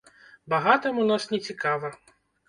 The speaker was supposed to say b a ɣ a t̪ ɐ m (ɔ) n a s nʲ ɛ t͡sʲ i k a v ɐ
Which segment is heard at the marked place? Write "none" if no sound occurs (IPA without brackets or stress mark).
u